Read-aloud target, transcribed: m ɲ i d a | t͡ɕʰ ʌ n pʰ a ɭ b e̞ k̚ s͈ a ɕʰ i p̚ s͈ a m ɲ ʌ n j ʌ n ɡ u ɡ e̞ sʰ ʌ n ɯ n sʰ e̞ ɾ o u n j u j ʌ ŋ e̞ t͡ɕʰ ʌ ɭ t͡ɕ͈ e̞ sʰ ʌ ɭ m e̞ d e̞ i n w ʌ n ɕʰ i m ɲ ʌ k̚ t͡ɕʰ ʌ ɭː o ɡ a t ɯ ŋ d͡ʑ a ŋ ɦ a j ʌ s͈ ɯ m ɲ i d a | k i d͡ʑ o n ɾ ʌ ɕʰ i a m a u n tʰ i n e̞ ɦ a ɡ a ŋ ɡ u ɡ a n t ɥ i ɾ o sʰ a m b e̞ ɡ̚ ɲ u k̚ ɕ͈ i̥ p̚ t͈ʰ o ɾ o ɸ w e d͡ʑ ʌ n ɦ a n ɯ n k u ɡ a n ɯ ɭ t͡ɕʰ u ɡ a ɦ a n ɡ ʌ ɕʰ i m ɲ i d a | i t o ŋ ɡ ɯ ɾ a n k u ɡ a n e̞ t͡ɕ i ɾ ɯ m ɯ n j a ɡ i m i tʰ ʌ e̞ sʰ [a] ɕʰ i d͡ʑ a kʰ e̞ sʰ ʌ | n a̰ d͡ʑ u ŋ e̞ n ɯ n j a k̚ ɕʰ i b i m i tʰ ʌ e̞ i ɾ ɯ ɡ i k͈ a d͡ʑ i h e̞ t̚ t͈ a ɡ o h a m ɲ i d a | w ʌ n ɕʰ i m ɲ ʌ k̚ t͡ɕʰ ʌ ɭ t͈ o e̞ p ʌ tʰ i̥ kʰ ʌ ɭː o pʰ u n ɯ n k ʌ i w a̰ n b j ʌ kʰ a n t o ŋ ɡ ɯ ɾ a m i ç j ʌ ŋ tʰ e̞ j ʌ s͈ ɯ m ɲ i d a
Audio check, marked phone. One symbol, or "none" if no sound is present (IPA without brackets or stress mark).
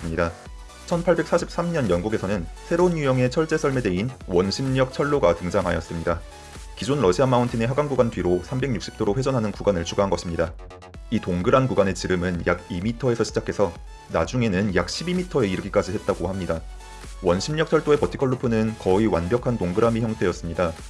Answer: ʌ